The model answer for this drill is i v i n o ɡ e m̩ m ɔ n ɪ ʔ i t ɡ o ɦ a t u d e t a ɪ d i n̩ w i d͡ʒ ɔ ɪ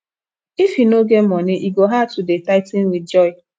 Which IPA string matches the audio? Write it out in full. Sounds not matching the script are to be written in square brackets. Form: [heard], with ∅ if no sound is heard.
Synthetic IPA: i [f] i n o ɡ e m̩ m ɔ n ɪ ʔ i [∅] ɡ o ɦ a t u d e t a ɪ [t] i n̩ w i d͡ʒ ɔ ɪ